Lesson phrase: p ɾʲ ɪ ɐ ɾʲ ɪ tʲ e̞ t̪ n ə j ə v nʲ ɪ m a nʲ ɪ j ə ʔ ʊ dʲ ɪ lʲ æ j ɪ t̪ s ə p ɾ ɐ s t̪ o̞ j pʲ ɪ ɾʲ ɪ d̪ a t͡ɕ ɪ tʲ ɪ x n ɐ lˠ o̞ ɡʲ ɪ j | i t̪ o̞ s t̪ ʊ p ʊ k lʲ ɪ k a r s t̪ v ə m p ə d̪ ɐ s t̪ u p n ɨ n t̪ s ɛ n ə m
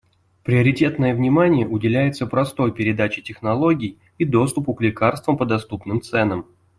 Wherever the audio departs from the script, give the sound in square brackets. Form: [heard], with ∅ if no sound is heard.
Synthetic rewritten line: p ɾʲ ɪ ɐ ɾʲ ɪ tʲ e̞ t̪ n ə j ə v nʲ ɪ m a nʲ ɪ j ə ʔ ʊ dʲ ɪ lʲ æ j ɪ t̪ s ə p ɾ ɐ s t̪ o̞ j pʲ ɪ ɾʲ ɪ d̪ a t͡ɕ ɪ tʲ ɪ x n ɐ lˠ o̞ ɡʲ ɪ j | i [d̪] o̞ s t̪ ʊ p ʊ k lʲ ɪ k a r s t̪ v ə m p ə d̪ ɐ s t̪ u p n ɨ [m] t̪ s ɛ n ə m